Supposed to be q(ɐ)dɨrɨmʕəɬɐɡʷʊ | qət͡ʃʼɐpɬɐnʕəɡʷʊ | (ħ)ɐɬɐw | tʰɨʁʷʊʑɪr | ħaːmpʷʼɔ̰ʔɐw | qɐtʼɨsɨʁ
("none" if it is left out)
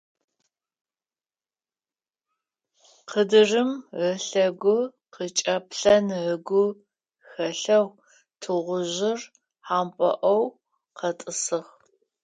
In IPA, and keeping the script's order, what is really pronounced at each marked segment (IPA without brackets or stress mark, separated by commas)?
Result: ə, x